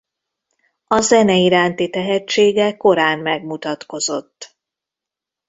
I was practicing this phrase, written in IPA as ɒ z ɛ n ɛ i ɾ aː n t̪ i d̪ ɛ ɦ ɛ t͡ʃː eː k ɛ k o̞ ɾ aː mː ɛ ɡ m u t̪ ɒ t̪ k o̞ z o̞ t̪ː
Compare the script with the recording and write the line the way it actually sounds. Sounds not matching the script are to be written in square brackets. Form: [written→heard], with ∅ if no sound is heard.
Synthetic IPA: ɒ z ɛ n ɛ i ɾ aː n t̪ i [d̪→t̪] ɛ ɦ ɛ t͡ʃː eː [k→ɡ] ɛ k o̞ ɾ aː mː ɛ ɡ m u t̪ ɒ t̪ k o̞ z o̞ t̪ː